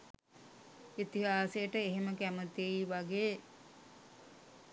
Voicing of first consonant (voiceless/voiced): voiceless